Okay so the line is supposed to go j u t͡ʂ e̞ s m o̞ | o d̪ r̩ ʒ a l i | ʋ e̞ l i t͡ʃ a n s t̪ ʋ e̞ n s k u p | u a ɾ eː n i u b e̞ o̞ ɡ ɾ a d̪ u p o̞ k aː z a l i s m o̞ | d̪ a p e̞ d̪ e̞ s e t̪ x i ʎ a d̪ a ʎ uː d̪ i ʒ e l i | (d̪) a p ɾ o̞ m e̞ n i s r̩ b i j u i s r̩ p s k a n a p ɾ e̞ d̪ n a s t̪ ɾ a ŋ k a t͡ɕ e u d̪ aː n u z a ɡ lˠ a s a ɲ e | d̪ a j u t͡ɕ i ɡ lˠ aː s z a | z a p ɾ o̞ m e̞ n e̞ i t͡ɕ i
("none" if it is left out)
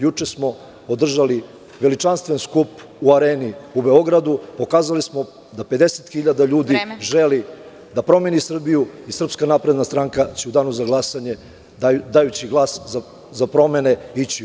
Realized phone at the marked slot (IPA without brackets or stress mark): d̪